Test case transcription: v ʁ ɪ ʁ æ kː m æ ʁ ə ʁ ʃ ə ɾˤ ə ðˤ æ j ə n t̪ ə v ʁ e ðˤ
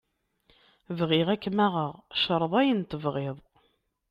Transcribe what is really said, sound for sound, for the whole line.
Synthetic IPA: v ʁ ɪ ʁ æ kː m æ ʁ ə ʁ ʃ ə ɾˤ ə ðˤ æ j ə n t̪ ə v ʁ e ðˤ